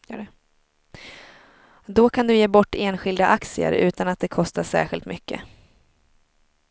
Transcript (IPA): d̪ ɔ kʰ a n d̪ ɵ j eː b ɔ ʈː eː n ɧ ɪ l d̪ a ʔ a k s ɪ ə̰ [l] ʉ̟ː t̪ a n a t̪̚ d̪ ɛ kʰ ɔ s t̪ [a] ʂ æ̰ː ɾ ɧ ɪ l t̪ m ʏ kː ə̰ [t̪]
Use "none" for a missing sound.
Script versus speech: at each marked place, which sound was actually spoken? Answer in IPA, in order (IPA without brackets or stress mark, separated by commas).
ɾ, a, none